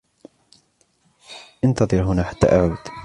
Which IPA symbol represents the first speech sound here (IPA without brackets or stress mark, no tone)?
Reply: ʔ